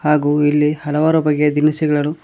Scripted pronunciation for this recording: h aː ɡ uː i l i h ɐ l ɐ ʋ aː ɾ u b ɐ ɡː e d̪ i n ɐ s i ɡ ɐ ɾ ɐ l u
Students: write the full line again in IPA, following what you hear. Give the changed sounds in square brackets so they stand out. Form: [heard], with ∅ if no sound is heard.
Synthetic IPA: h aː ɡ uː i [lː] i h ɐ l ɐ ʋ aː ɾ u b ɐ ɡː e d̪ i n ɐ s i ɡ ɐ [ɭ] ɐ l u